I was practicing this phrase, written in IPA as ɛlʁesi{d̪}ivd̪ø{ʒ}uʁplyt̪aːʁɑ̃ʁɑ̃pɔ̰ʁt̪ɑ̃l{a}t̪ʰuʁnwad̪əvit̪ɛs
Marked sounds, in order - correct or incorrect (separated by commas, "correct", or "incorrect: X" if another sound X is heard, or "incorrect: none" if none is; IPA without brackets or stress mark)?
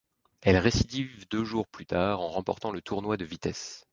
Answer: correct, correct, incorrect: ə